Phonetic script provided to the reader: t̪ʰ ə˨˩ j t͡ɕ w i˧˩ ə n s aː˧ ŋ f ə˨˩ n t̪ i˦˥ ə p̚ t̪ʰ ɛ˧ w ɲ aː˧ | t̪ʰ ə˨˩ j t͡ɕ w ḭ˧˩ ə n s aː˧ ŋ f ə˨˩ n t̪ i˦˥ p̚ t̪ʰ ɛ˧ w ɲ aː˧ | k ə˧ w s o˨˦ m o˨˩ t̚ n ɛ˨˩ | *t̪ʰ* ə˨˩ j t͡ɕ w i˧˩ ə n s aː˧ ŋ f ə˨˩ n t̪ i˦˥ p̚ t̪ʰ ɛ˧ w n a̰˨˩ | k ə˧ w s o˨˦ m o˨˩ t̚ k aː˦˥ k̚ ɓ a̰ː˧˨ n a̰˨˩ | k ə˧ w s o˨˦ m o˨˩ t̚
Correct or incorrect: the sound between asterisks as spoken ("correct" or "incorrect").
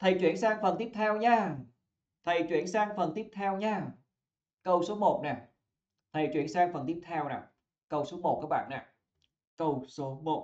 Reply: correct